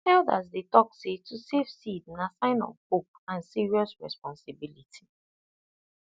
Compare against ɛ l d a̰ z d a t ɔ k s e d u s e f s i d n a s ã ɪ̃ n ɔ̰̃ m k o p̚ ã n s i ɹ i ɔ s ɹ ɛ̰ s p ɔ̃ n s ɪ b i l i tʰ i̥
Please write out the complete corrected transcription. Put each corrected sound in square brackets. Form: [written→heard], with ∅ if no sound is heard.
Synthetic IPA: ɛ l d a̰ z d [a→e] t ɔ k s e [d→t] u s e f s i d n a s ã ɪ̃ n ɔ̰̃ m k o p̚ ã n s i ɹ i ɔ s ɹ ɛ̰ s p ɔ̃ n s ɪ b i l i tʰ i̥